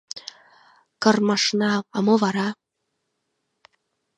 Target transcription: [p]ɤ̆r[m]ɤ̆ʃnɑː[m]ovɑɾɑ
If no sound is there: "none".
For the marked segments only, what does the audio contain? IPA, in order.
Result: k, m, m

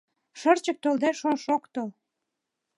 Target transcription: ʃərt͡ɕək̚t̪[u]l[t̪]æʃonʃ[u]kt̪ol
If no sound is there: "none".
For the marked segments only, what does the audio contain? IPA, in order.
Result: o, d̪, o

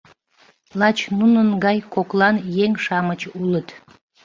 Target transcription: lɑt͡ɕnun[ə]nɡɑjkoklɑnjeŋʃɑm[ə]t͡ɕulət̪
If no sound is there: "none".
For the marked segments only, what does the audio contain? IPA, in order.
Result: ə, ə

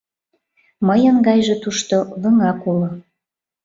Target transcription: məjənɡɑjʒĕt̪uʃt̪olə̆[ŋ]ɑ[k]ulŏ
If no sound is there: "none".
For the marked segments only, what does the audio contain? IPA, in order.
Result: ŋ, k

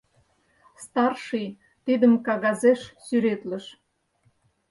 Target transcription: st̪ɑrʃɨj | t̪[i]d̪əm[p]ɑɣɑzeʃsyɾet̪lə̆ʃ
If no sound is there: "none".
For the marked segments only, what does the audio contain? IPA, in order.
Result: i, k

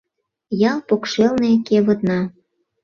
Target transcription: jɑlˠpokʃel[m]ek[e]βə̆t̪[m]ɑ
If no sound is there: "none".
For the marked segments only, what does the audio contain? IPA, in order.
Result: n, e, n

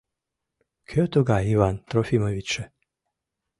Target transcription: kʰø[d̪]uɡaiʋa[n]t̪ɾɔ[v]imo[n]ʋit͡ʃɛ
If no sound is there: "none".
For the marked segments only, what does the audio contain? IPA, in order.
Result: t̪, n, f, none

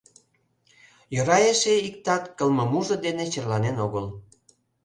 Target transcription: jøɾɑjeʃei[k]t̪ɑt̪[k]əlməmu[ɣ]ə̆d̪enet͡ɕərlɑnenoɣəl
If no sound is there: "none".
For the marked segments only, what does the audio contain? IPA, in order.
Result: k, k, ʒ

